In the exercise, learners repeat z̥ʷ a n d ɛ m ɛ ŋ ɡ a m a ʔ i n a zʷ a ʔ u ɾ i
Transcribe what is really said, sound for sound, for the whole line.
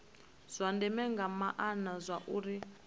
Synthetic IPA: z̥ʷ a n d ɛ m ɛ ŋ ɡ a m a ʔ a n a zʷ a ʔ u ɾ i